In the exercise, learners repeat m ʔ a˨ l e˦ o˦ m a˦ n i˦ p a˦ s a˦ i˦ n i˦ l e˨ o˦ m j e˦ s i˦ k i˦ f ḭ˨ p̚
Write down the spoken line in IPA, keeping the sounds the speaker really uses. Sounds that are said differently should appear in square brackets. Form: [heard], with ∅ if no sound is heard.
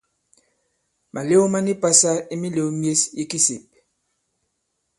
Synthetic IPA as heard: m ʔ a˨ l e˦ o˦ m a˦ n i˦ p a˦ s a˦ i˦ [m] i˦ l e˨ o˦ m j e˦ s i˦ k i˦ [s] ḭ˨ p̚